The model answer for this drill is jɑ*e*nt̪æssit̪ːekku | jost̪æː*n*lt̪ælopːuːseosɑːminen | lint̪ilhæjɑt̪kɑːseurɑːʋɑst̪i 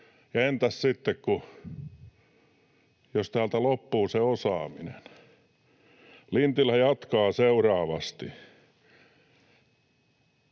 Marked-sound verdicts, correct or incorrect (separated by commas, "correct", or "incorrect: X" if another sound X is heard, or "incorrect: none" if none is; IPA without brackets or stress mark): correct, incorrect: none